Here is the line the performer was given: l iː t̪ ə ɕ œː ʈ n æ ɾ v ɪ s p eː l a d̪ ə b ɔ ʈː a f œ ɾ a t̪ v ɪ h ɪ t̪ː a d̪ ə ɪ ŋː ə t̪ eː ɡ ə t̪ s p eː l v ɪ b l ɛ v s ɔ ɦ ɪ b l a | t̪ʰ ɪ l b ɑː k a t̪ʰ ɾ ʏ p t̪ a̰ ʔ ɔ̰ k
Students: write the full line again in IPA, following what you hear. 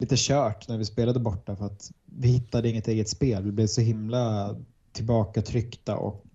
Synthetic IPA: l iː t̪ ə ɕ œː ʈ n æ ɾ v ɪ s p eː l a d̪ ə b ɔ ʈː a f œ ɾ a t̪ v ɪ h ɪ t̪ː a d̪ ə ɪ ŋː ə t̪ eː ɡ ə t̪ s p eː l v ɪ b l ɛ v s ɔ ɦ ɪ m l a | t̪ʰ ɪ l b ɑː k a t̪ʰ ɾ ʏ k t̪ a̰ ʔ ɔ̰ k